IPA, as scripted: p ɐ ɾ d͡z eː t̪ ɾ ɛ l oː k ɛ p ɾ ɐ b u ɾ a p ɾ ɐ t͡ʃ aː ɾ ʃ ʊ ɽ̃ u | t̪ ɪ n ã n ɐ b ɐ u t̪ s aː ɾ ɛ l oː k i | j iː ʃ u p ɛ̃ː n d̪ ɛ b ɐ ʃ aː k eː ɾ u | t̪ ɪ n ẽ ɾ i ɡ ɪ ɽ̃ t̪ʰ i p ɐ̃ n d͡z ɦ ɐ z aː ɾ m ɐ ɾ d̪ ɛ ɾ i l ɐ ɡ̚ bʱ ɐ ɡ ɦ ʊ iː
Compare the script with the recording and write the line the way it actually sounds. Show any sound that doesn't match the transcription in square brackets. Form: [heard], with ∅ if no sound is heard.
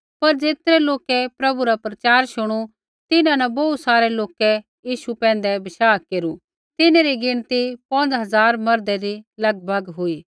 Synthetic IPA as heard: p ɐ ɾ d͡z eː t̪ ɾ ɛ l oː k ɛ p ɾ ɐ b u ɾ a p ɾ ɐ t͡ʃ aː ɾ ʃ ʊ ɽ̃ u | t̪ ɪ n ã n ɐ b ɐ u t̪ s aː ɾ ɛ l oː k [ɛ] | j iː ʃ u p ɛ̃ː n d̪ ɛ b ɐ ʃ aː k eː ɾ u | t̪ ɪ n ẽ ɾ i ɡ ɪ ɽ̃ [t̪] i p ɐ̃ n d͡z ɦ ɐ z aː ɾ m ɐ ɾ d̪ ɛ ɾ i l ɐ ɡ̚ bʱ ɐ ɡ ɦ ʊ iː